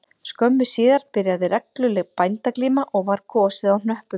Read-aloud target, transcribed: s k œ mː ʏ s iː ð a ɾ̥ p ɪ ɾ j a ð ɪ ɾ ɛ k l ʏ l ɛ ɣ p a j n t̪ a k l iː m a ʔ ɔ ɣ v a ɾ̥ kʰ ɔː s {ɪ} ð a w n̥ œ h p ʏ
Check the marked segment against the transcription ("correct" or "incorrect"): correct